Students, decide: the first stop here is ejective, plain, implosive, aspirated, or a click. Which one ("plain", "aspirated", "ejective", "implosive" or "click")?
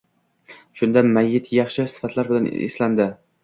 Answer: plain